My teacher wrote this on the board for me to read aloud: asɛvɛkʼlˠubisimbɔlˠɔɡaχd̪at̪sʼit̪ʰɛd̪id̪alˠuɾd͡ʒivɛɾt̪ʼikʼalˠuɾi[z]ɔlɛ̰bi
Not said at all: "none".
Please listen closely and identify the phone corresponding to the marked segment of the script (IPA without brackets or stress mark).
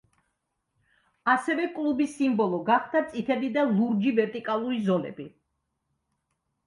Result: z